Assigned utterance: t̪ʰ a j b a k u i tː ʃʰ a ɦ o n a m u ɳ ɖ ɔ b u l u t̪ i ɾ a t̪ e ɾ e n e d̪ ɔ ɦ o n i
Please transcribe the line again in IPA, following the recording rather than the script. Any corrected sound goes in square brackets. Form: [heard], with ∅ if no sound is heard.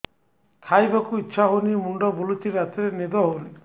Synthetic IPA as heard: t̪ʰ a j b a k u i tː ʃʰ a ɦ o n [i] m u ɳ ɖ ɔ b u l u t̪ i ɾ a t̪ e ɾ e n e d̪ ɔ ɦ o n i

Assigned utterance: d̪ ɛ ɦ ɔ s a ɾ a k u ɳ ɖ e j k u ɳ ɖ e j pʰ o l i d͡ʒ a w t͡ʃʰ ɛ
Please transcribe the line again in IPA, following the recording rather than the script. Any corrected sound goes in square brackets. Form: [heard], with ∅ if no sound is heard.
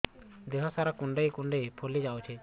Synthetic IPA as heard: d̪ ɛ ɦ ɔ s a ɾ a k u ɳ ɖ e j k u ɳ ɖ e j pʰ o l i d͡ʒ a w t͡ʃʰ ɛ

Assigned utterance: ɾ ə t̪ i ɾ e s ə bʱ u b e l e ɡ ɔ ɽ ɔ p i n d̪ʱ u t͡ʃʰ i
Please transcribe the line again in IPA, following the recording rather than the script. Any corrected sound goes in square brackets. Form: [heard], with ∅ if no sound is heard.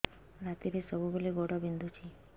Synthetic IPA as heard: ɾ [a] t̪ i ɾ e s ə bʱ u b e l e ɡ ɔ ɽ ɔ [b] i n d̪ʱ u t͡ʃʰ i

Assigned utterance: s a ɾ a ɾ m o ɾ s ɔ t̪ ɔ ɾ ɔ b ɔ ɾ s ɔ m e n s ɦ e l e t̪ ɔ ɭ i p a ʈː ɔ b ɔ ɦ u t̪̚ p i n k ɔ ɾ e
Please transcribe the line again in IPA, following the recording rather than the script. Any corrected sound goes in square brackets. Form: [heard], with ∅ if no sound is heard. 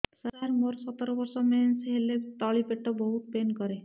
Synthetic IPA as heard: s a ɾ a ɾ m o ɾ s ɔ t̪ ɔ ɾ ɔ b ɔ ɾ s ɔ m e n s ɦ e l e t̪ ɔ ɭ i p [e] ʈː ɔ b ɔ ɦ u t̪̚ p [e] n k ɔ ɾ e

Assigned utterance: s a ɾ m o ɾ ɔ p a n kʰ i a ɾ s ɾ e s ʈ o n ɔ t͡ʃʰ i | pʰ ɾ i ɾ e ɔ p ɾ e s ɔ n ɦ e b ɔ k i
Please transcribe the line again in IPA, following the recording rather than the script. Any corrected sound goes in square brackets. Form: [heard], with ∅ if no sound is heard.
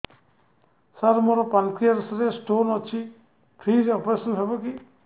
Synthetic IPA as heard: s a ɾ m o ɾ ɔ p a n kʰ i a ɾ s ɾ e s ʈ o n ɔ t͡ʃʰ i | pʰ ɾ i ɾ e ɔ p ɾ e s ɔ n ɦ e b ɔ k i

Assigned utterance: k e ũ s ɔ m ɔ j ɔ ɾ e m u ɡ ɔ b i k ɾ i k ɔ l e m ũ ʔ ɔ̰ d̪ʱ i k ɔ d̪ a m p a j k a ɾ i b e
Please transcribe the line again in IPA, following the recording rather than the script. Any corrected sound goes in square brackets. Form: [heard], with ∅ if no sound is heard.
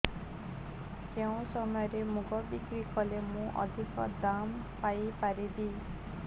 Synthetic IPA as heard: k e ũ s ɔ m ɔ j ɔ ɾ e m u ɡ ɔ b i k ɾ i k ɔ l e m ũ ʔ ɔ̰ d̪ʱ i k ɔ d̪ a m p a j [p] a ɾ i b [i]

